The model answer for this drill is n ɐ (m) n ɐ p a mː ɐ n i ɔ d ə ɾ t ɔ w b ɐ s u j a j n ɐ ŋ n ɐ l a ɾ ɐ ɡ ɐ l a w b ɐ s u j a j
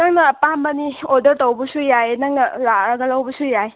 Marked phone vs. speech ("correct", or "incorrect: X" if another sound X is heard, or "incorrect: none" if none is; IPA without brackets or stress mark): incorrect: ŋ